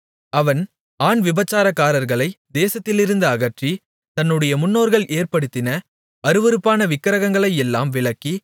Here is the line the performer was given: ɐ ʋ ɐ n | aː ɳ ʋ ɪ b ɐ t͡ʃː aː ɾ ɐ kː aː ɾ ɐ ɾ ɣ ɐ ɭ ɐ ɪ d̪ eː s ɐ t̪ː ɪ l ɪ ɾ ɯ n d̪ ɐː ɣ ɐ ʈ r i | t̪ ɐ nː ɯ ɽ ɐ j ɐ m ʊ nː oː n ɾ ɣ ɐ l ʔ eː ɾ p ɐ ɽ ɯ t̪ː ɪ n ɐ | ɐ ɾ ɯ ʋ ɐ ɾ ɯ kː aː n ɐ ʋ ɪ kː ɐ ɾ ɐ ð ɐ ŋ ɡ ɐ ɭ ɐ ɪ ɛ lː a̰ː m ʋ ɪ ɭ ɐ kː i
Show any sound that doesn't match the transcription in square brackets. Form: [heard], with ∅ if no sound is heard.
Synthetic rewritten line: ɐ ʋ ɐ n | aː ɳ ʋ ɪ b ɐ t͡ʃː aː ɾ ɐ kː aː ɾ ɐ ɾ ɣ ɐ ɭ ɐ ɪ d̪ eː s ɐ t̪ː ɪ l ɪ ɾ ɯ n d̪ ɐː ɣ ɐ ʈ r i | t̪ ɐ nː ɯ ɽ ɐ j ɐ m ʊ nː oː [∅] ɾ ɣ ɐ [ɭ] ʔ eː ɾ p ɐ ɽ ɯ t̪ː ɪ n ɐ | ɐ ɾ ɯ ʋ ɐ ɾ ɯ [pː] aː n ɐ ʋ ɪ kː ɐ ɾ ɐ [ɣ] ɐ ŋ ɡ ɐ ɭ ɐ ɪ ɛ lː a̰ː m ʋ ɪ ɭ ɐ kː i